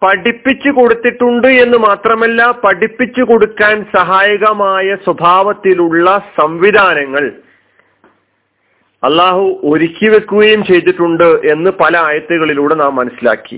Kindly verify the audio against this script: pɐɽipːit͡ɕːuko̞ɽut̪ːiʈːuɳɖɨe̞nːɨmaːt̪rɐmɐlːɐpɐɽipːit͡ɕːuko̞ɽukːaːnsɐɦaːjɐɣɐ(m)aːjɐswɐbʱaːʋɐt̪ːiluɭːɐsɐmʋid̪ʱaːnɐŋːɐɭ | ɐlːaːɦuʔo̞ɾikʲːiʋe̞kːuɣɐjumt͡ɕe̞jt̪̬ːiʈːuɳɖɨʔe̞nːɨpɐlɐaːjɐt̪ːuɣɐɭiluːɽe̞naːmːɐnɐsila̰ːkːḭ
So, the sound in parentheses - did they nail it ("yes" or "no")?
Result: yes